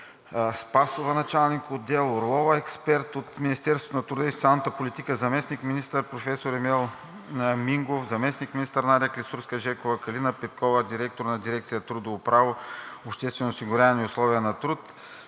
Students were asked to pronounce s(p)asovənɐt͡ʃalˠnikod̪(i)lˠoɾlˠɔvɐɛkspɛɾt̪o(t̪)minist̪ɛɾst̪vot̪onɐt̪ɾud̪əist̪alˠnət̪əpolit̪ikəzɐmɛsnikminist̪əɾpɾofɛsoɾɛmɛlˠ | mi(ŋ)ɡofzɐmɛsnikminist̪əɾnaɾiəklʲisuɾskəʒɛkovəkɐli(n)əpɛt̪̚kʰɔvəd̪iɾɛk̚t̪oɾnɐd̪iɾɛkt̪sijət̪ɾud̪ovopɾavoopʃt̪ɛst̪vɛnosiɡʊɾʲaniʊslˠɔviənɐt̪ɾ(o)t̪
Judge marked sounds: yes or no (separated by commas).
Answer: yes, no, yes, yes, yes, no